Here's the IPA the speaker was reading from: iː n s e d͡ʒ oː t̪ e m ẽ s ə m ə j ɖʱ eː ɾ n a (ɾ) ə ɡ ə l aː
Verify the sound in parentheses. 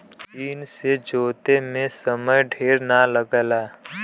incorrect: l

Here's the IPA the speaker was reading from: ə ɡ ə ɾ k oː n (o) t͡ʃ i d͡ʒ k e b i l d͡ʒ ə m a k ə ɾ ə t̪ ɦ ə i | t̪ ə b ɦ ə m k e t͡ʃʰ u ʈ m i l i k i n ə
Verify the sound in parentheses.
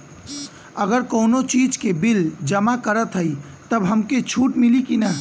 correct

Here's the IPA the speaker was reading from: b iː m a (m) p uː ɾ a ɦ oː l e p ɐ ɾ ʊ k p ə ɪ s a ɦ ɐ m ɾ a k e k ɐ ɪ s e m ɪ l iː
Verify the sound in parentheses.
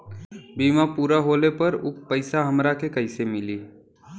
incorrect: none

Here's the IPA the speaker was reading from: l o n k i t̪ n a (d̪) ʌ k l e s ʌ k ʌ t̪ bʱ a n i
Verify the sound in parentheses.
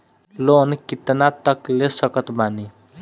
incorrect: t̪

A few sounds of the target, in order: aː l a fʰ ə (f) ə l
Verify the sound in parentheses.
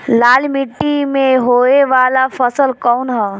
incorrect: s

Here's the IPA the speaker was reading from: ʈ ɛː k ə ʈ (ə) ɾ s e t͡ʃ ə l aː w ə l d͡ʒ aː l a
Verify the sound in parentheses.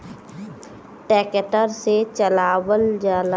correct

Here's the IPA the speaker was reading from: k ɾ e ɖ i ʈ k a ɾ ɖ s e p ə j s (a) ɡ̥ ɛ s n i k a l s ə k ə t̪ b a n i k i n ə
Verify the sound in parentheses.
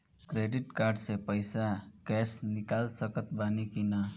correct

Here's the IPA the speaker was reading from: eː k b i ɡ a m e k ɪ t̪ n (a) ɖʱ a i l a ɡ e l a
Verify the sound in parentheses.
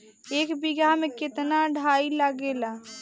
correct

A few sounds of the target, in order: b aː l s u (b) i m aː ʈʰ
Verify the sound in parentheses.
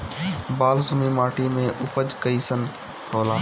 incorrect: m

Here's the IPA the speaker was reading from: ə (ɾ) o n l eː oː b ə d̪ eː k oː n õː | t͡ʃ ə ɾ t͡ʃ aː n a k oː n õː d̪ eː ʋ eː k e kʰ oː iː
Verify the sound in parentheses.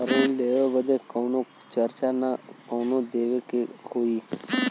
correct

